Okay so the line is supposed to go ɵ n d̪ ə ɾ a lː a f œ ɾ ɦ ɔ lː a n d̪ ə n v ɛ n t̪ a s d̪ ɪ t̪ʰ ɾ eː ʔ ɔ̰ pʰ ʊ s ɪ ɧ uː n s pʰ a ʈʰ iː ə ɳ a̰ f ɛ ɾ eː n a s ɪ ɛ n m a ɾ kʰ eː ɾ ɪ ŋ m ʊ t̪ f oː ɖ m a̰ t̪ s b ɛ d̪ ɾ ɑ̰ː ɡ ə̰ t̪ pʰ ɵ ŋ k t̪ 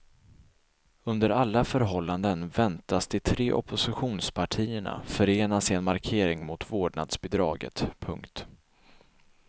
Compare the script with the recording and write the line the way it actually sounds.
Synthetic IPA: ɵ n d̪ ə ɾ a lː a f œ ɾ ɦ ɔ lː a n d̪ ə n v ɛ n t̪ a s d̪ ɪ t̪ʰ ɾ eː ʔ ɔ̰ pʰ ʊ s ɪ ɧ uː n s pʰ a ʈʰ iː ə ɳ a̰ f œ ɾ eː n a s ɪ ɛ n m a ɾ kʰ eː ɾ ɪ ŋ m ʊ t̪ v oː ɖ ɳ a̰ d̪ s b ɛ d̪ ɾ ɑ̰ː ɡ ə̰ t̪ pʰ ɵ ŋ k t̪